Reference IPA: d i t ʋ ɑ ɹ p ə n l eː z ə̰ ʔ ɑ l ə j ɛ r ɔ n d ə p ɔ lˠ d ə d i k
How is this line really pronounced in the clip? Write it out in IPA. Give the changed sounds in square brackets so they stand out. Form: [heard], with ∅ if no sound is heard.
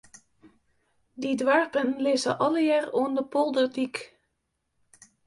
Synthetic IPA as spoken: d i [d] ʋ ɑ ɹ p ə n l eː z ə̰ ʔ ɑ l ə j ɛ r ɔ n d ə p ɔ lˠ d ə d i k